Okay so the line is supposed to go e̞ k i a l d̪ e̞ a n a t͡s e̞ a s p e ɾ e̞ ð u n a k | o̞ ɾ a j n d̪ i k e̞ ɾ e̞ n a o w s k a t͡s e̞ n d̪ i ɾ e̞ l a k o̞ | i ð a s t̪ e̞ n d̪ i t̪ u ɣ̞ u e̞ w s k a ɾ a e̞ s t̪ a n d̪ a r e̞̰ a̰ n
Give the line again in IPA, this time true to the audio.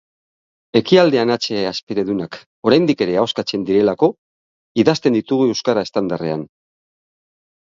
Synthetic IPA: e̞ k i a l d̪ e̞ a n a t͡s e̞ a s p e ɾ e̞ ð u n a k | o̞ ɾ a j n d̪ i k e̞ ɾ e̞ a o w s k a t͡s e̞ n d̪ i ɾ e̞ l a k o̞ | i ð a s t̪ e̞ n d̪ i t̪ u ɣ̞ u e̞ w s k a ɾ a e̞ s t̪ a n d̪ a r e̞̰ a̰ n